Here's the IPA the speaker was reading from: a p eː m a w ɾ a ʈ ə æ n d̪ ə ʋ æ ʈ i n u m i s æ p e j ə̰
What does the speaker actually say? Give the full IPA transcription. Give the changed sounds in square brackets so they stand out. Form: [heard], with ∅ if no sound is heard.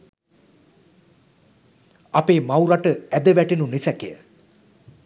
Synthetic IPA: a p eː m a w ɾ a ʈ ə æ [∅] d̪ ə ʋ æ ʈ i n u [n] i s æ [k] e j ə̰